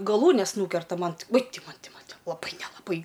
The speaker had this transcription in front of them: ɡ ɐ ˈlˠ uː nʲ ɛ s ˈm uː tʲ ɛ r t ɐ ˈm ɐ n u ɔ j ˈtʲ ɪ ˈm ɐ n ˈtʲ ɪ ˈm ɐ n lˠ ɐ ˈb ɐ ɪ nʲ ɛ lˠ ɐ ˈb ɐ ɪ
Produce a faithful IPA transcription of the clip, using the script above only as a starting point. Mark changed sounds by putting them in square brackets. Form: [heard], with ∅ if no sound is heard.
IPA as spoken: ɡ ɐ ˈlˠ uː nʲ ɛ s [ˈn] uː [kʲ] ɛ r t ɐ ˈm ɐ n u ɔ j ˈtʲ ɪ ˈm ɐ n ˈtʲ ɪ ˈm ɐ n lˠ ɐ ˈb ɐ ɪ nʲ ɛ lˠ ɐ ˈb ɐ ɪ